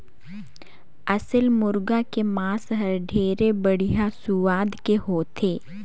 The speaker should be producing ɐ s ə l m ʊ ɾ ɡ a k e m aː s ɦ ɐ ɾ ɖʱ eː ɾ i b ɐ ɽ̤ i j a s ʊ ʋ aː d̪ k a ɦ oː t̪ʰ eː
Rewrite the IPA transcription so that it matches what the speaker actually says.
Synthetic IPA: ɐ s ə l m ʊ ɾ ɡ a k e m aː s ɦ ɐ ɾ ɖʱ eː ɾ e b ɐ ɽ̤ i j a s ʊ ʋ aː d̪ k e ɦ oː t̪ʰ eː